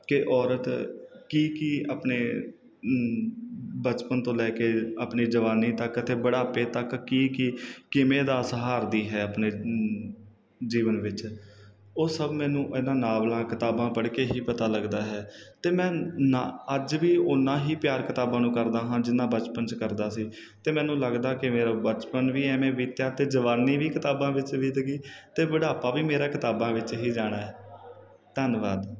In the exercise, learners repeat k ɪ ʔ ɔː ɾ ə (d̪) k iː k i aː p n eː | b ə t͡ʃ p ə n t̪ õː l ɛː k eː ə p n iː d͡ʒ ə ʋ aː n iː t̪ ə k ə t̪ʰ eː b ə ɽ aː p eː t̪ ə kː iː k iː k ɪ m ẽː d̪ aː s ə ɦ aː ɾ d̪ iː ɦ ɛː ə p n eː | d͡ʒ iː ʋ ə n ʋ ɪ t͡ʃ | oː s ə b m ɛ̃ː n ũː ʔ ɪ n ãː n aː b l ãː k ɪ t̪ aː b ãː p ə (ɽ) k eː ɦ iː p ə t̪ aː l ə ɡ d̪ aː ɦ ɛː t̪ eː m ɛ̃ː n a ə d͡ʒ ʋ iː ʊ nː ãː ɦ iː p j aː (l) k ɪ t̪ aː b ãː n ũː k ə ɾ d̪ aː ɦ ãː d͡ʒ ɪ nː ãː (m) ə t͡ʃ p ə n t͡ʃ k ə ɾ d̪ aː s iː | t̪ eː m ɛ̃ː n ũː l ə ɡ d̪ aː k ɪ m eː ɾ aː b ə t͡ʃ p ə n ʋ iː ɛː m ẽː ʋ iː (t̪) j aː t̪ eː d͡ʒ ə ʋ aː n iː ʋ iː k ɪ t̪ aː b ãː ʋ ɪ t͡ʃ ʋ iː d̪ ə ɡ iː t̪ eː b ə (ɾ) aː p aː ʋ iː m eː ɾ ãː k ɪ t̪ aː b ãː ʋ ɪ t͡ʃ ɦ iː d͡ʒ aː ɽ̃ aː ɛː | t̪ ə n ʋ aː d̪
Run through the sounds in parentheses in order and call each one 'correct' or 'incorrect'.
incorrect: t̪, correct, incorrect: ɾ, incorrect: b, correct, incorrect: ɽ

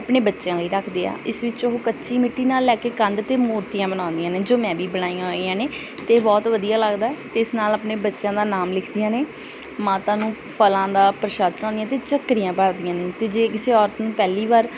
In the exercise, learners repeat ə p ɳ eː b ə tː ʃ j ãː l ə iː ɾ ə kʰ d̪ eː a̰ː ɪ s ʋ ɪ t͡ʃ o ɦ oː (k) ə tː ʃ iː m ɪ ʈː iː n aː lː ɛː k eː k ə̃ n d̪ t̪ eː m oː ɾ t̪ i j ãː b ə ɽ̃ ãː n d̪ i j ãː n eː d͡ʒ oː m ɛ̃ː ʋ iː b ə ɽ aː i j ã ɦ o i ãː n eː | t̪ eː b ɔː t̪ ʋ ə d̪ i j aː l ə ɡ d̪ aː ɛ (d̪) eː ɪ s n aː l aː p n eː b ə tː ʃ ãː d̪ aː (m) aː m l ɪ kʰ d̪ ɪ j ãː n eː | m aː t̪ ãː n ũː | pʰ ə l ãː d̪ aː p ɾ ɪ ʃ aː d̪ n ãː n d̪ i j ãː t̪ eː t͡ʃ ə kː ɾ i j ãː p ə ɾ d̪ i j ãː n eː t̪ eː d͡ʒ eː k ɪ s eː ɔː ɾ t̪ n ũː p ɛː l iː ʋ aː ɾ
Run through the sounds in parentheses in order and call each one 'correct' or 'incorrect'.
correct, incorrect: t̪, incorrect: n

